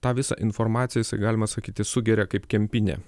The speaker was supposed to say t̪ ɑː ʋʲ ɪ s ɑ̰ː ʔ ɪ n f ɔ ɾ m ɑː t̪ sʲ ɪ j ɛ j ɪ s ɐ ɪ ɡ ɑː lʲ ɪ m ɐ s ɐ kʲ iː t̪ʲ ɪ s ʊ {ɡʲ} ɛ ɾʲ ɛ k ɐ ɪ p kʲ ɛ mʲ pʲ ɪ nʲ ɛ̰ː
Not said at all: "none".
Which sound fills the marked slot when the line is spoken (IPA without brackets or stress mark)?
ɡʲ